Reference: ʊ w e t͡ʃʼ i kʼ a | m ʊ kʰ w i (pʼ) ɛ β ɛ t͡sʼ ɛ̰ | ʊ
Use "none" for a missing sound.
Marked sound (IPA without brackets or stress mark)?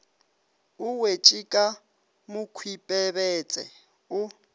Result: pʼ